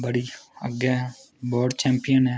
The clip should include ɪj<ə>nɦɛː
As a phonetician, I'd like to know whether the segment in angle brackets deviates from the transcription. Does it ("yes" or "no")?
no